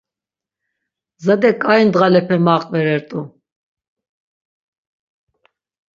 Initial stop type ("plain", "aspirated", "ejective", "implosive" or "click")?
plain